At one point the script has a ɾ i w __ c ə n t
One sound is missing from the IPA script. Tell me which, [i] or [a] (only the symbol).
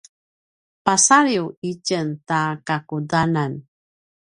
i